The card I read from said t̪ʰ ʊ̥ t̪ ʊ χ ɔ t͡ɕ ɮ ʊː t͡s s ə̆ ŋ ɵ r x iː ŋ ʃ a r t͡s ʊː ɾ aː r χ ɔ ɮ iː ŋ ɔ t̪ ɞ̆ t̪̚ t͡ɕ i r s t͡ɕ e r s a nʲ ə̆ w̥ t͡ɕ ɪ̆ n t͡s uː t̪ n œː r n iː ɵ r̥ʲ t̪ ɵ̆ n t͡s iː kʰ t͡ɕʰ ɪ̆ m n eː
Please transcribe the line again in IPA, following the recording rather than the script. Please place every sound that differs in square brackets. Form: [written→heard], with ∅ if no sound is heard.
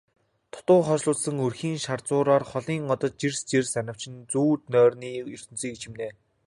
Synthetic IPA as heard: t̪ʰ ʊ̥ t̪ [ʊ→ʊː] χ ɔ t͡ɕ ɮ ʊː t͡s s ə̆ ŋ ɵ r x iː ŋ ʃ a r t͡s ʊː ɾ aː r χ ɔ ɮ iː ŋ ɔ t̪ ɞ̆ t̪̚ t͡ɕ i r s t͡ɕ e r s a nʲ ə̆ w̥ t͡ɕ ɪ̆ n t͡s uː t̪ n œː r n iː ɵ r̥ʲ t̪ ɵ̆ n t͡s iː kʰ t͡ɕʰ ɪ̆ m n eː